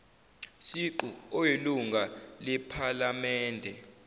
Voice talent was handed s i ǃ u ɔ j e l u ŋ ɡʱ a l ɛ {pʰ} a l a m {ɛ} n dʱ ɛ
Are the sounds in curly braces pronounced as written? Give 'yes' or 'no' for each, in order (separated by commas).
yes, no